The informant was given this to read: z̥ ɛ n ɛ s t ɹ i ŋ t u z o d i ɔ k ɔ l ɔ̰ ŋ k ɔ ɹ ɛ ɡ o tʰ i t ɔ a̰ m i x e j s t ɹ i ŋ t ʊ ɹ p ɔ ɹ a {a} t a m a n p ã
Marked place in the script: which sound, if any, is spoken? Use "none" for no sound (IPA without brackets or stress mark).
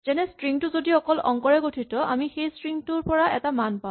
ɛ